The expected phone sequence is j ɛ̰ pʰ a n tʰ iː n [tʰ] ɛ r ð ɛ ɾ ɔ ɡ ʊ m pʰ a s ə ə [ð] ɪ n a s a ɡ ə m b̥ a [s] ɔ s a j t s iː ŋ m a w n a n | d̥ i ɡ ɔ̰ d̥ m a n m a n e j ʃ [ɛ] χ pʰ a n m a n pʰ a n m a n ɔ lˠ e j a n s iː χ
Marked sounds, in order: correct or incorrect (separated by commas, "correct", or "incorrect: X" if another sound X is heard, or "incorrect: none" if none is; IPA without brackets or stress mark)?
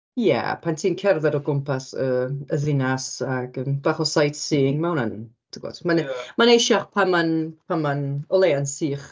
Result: incorrect: kʰ, correct, incorrect: χ, incorrect: a